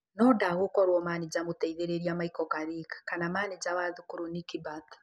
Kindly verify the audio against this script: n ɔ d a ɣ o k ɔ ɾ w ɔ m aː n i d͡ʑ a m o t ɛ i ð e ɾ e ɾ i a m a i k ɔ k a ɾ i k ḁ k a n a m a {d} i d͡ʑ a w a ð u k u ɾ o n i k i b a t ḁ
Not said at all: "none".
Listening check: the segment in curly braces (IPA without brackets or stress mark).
n